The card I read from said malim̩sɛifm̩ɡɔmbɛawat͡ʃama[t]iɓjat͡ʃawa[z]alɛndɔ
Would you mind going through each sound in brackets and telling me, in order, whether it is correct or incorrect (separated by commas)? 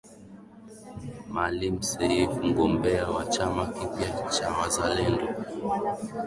incorrect, correct